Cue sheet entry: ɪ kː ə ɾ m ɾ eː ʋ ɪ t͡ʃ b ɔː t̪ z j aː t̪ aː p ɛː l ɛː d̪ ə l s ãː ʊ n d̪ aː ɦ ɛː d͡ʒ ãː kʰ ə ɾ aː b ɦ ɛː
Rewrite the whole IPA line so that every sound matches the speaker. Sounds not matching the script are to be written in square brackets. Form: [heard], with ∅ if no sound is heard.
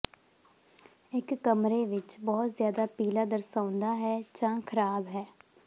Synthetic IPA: ɪ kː ə [∅] m ɾ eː ʋ ɪ t͡ʃ b ɔː t̪ z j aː [d̪] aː p [iː] l [aː] d̪ ə [ɾ] s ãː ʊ n d̪ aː ɦ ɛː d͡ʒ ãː kʰ ə ɾ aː b ɦ ɛː